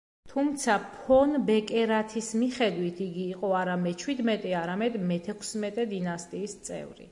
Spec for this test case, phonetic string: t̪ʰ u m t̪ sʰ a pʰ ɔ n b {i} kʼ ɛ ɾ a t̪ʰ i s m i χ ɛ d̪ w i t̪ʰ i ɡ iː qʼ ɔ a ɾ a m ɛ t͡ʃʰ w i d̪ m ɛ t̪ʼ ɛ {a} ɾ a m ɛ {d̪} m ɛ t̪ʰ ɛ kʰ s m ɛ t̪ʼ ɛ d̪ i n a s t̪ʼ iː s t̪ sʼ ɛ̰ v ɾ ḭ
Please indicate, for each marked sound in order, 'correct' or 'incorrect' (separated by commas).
incorrect, correct, correct